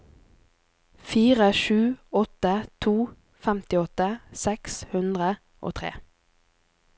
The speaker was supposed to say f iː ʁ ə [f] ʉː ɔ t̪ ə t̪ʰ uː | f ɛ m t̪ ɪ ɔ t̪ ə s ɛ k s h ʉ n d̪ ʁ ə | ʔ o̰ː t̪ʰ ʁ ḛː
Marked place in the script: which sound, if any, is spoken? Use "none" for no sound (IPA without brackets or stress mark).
ʃ